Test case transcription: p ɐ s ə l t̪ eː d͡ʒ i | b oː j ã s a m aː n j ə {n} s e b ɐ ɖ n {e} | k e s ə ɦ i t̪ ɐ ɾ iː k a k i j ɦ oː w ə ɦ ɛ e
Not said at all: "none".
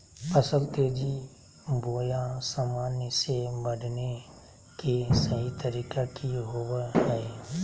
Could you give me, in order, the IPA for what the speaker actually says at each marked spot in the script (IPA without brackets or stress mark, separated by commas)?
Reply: none, e